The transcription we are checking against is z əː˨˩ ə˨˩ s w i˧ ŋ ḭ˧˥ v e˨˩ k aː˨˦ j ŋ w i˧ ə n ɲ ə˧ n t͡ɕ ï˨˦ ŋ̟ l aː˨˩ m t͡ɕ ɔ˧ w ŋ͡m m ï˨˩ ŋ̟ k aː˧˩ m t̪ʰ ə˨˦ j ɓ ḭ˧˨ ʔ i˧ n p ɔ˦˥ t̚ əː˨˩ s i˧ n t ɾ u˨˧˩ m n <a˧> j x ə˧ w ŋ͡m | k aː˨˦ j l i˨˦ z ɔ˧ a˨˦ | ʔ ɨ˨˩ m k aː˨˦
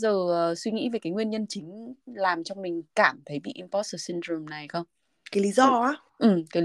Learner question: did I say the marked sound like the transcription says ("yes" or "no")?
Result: no